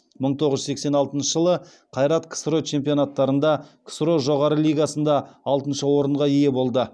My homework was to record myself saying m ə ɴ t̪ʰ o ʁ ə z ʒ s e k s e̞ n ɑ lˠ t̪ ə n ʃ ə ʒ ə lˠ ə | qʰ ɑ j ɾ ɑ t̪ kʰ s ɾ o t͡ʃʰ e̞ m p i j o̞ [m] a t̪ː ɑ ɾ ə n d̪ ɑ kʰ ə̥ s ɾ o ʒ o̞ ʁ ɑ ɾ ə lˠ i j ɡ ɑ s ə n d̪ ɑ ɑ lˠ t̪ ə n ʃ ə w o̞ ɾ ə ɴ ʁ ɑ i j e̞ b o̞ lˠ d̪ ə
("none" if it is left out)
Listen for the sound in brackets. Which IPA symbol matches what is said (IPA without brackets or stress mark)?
n